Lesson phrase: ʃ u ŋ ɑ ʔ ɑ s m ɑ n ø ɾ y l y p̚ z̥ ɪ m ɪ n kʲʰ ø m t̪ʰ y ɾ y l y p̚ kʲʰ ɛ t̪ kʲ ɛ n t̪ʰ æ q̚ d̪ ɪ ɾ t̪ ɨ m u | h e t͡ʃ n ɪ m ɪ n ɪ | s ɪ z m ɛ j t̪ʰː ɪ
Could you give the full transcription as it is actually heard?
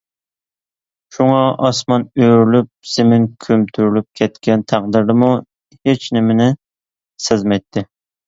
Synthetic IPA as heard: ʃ u ŋ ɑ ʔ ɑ s m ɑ n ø ɾ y l y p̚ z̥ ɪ m ɪ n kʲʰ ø m t̪ʰ y ɾ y l y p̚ kʲʰ ɛ t̪ kʲ ɛ n t̪ʰ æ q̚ d̪ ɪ ɾ d̪ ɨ m u | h e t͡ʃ n ɪ m ɪ n ɪ | s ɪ z m ɛ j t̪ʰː ɪ